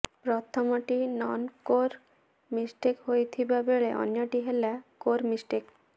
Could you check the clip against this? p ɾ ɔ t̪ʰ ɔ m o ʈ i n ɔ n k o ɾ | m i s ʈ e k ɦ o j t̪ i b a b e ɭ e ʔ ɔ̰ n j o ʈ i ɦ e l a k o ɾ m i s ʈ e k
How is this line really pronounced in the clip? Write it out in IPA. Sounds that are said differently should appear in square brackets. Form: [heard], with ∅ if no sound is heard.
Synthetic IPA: p ɾ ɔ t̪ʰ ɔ m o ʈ i n ɔ n k o ɾ | m i s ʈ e k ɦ o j [t̪ʰ] i b a b e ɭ e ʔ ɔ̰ n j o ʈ i ɦ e l a k o ɾ m i s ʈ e k